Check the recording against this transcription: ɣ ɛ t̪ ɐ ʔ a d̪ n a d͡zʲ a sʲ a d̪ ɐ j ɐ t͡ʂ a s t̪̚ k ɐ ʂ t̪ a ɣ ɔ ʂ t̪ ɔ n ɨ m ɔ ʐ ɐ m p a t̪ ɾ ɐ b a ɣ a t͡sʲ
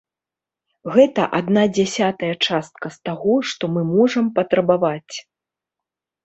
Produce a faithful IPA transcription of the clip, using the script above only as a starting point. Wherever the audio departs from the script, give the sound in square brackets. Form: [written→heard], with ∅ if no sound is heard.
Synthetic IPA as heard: ɣ ɛ t̪ ɐ ʔ a d̪ n a d͡zʲ a sʲ a [d̪→t̪] ɐ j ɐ t͡ʂ a s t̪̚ k ɐ [ʂ→s] t̪ a ɣ ɔ ʂ t̪ ɔ [n→m] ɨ m ɔ ʐ ɐ m p [a→ɐ] t̪ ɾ ɐ b a [ɣ→v] a t͡sʲ